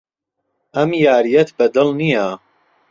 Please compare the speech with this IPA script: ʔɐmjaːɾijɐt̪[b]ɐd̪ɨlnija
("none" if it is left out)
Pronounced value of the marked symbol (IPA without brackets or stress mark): b